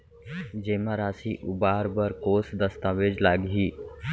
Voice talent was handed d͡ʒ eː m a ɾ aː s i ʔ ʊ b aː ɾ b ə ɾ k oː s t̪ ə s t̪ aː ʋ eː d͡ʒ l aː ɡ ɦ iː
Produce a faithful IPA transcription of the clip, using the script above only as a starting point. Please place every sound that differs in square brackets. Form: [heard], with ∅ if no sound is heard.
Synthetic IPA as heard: d͡ʒ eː m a ɾ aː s i ʔ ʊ b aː ɾ b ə ɾ k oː s [d̪] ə s t̪ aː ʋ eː d͡ʒ l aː ɡ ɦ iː